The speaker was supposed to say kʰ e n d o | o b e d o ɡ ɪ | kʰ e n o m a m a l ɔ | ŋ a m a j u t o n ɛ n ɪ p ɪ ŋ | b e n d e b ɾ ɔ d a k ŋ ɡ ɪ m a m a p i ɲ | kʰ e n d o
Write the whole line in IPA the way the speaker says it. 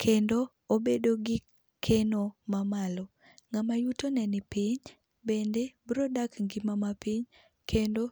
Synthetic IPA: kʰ e n d o | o b e d o ɡ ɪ | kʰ e n o m a m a l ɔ | ŋ a m a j u t o n ɛ n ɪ p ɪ ɲ | b e n d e b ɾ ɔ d a k ŋ ɡ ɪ m a m a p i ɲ | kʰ e n d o